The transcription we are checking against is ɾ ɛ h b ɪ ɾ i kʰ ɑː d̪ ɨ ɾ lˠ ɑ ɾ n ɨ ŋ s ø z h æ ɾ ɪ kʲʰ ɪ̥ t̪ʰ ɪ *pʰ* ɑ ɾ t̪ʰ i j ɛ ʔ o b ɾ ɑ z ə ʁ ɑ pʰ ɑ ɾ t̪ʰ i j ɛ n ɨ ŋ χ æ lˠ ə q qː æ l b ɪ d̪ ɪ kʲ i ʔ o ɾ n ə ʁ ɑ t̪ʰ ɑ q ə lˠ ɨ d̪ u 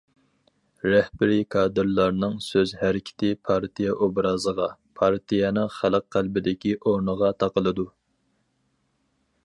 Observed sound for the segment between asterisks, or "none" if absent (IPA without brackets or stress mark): pʰ